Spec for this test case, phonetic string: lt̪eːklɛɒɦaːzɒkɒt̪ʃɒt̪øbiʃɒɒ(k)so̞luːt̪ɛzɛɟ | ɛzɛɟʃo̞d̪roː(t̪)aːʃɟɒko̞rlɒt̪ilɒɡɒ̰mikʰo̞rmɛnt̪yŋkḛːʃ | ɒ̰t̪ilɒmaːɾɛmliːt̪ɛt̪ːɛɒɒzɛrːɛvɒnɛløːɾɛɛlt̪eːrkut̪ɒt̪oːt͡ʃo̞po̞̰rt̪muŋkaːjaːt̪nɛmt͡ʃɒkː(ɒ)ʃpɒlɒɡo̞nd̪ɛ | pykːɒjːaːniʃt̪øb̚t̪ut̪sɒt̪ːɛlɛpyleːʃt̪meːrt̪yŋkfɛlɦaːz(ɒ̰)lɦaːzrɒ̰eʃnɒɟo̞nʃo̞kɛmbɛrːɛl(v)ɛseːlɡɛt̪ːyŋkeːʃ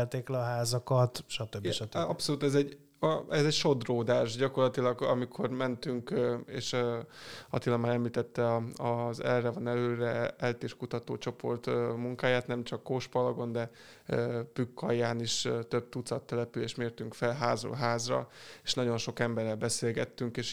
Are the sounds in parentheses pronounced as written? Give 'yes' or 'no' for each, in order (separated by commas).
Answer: no, no, no, no, no